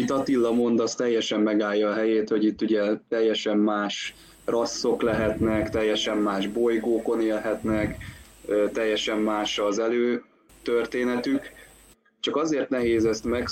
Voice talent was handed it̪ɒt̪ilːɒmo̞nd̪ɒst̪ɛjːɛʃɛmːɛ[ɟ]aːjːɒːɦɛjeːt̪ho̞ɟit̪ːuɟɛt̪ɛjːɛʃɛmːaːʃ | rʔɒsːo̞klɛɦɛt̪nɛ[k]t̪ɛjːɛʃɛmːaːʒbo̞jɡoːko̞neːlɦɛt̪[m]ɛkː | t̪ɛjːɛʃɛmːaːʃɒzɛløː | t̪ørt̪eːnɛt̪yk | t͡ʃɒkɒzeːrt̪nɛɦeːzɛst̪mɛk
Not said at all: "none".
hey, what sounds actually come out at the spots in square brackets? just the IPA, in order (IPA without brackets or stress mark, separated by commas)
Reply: ɡ, k, n